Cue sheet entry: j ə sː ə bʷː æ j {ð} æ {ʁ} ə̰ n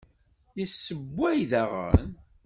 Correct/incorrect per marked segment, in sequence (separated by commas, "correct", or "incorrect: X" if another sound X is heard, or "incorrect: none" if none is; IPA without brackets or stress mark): correct, correct